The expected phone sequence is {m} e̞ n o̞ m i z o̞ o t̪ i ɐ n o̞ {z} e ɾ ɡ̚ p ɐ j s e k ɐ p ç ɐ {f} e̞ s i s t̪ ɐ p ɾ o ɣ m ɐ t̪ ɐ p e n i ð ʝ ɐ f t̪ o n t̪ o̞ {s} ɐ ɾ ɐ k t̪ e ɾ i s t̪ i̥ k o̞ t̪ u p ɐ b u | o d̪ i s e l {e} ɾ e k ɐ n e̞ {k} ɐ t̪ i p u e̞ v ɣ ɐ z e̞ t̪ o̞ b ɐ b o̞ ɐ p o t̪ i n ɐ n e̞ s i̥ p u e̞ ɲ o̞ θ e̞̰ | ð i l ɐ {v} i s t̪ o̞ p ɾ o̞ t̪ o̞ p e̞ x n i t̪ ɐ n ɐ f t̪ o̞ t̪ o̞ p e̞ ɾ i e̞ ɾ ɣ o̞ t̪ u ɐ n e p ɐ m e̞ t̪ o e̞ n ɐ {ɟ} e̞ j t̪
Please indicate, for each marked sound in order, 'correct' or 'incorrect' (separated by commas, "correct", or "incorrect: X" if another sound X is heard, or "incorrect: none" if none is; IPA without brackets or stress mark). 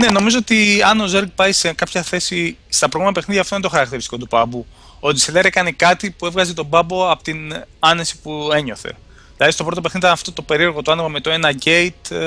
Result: incorrect: n, correct, incorrect: θ, incorrect: x, correct, correct, incorrect: ð, correct